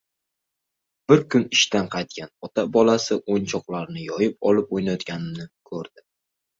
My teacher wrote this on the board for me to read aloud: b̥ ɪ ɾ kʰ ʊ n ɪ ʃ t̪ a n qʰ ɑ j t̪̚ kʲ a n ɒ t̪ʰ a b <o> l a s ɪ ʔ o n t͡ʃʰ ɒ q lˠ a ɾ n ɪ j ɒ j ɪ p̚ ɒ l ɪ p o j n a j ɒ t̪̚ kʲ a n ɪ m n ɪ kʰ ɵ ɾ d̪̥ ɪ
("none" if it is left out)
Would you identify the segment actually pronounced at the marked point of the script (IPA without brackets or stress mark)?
ɒ